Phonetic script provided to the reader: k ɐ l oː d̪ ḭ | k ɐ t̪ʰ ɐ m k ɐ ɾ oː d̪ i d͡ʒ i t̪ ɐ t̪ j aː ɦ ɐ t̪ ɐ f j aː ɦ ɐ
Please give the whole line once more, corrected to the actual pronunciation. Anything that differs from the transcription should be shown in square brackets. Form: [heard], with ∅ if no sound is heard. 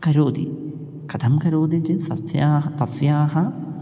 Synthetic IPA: k ɐ [ɾ] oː d̪ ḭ | k ɐ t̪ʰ ɐ m k ɐ ɾ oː d̪ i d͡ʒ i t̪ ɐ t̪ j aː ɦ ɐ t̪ ɐ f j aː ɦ ɐ